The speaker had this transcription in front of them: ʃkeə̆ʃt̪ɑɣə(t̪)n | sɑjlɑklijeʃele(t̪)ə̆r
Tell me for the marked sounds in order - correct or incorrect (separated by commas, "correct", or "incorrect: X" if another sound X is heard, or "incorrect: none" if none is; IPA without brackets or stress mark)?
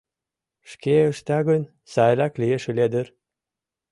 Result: incorrect: none, incorrect: d̪